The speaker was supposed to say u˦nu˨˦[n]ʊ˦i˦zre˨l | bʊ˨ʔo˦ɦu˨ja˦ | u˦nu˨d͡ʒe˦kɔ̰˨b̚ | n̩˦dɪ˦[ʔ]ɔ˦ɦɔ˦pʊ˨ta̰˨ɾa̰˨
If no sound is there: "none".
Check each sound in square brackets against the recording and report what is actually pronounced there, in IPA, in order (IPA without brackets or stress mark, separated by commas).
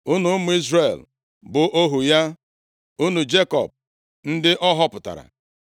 m, ʔ